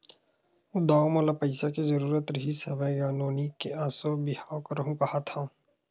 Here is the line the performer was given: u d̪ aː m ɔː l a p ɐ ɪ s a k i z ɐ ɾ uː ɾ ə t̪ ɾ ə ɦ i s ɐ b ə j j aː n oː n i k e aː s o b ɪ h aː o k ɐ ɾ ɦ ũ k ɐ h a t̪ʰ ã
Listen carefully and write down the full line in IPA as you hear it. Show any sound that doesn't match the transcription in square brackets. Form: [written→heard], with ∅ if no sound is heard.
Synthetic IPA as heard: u d̪ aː m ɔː l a p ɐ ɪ s a k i z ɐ ɾ uː ɾ ə t̪ ɾ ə ɦ i s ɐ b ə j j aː n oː n i k e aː s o b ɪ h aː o k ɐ ɾ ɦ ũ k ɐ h a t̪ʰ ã